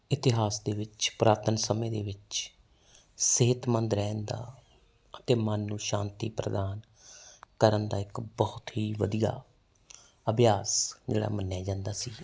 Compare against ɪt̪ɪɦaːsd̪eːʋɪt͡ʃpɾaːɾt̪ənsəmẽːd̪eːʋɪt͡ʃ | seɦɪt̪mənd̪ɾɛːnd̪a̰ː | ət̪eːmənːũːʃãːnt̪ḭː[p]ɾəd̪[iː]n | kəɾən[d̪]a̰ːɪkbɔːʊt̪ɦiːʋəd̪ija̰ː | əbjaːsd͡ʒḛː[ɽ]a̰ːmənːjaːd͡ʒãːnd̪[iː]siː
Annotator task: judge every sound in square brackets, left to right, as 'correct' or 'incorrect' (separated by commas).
correct, incorrect, correct, correct, incorrect